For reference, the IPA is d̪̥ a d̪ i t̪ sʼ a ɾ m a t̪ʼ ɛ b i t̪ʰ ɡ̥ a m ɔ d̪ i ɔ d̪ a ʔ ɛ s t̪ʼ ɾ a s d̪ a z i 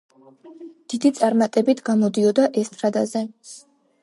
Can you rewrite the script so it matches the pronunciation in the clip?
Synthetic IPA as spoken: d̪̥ i d̪ i t̪ sʼ a ɾ m a t̪ʼ ɛ b i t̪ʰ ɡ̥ a m ɔ d̪ i ɔ d̪ a ʔ ɛ s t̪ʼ ɾ a d̪ a z ɛ